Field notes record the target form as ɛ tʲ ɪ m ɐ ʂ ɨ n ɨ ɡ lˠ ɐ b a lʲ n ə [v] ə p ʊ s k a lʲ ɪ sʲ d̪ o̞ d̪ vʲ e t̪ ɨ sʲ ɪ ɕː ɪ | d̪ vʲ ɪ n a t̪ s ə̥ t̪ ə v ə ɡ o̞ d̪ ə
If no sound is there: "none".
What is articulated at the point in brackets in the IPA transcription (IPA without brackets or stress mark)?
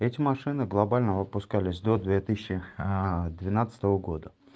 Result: v